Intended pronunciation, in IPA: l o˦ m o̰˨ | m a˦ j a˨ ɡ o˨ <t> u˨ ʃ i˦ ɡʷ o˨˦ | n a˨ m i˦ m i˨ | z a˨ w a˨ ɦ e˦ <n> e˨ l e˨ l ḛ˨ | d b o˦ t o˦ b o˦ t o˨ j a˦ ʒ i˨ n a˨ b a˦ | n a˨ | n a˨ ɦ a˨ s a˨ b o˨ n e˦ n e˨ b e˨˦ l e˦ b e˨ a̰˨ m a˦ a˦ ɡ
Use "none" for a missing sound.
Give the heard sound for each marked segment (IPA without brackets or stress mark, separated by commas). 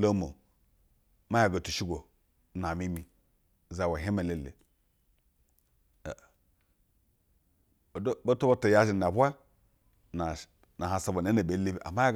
t, m